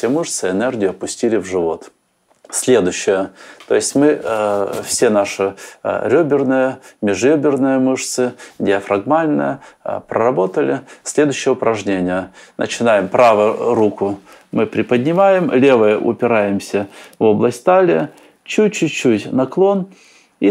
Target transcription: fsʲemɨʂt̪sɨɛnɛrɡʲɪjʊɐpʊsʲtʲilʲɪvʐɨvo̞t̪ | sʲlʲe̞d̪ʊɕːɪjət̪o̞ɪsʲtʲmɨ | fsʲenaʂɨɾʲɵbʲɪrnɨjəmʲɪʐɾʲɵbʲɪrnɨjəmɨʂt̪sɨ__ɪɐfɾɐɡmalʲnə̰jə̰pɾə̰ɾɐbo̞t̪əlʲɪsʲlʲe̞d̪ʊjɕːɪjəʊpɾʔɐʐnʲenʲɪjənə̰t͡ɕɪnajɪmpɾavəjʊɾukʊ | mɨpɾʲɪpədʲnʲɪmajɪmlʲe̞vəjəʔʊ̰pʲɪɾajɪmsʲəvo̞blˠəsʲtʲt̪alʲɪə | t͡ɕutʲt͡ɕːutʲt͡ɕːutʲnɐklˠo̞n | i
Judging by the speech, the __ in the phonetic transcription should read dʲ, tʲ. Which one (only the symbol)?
dʲ